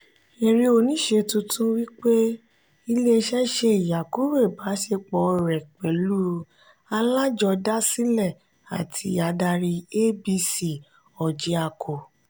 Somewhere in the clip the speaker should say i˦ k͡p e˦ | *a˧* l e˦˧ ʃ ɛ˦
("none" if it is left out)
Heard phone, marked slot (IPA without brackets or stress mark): i˧